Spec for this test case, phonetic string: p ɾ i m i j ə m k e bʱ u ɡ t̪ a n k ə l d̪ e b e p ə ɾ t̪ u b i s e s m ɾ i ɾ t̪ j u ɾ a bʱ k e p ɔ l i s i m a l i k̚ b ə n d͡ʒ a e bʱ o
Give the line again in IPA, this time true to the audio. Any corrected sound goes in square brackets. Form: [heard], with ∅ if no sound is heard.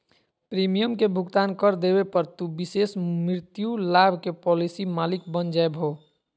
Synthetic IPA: p ɾ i m i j ə m k e bʱ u ɡ t̪ a n k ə [ɾ] d̪ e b e p ə ɾ t̪ u b i s e s m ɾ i ɾ t̪ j u [l] a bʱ k e p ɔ l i s i m a l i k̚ b ə n d͡ʒ a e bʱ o